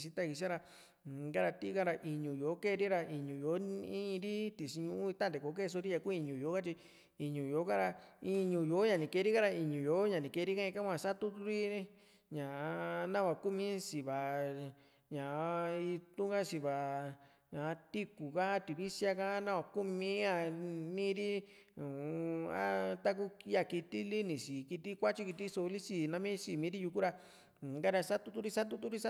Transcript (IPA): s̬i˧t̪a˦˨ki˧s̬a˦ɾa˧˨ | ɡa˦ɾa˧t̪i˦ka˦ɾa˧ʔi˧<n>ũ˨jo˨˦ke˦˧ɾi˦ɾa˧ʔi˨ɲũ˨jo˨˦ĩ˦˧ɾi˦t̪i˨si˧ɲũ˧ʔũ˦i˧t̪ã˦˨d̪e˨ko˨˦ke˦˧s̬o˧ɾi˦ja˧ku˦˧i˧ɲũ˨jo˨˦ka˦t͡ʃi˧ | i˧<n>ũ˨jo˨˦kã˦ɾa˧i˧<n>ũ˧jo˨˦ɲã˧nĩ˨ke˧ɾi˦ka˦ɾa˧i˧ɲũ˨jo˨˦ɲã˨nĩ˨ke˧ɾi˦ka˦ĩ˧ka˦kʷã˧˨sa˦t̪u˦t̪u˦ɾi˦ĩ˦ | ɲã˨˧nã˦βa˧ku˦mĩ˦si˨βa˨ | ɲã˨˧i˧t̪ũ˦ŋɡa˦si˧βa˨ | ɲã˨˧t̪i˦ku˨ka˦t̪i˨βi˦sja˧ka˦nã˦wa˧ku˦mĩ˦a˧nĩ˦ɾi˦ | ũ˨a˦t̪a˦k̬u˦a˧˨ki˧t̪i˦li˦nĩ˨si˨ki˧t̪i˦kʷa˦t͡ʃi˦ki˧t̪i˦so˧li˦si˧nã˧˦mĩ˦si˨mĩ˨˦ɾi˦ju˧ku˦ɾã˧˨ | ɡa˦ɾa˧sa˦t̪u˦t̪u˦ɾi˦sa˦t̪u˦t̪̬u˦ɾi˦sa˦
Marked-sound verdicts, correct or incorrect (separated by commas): incorrect, incorrect, incorrect